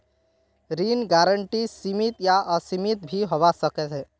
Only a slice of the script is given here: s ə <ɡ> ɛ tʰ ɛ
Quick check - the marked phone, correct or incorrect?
incorrect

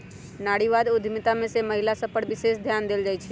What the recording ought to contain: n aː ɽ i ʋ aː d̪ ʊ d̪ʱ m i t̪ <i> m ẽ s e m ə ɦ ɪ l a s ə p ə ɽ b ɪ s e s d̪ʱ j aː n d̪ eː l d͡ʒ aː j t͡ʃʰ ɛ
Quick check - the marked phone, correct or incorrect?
incorrect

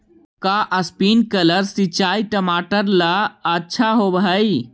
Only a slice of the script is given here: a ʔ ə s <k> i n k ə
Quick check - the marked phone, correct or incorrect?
incorrect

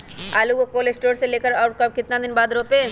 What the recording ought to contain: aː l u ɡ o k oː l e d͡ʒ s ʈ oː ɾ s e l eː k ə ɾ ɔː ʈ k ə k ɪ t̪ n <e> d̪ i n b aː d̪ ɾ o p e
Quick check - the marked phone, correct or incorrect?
incorrect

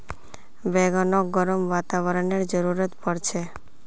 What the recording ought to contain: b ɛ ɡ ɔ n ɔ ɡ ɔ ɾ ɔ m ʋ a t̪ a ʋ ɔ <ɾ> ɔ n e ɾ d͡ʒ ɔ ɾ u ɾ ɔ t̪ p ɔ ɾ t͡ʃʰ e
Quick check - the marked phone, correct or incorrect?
correct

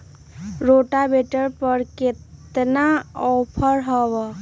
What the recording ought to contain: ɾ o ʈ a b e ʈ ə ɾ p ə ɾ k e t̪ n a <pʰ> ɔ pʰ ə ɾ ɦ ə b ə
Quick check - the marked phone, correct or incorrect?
incorrect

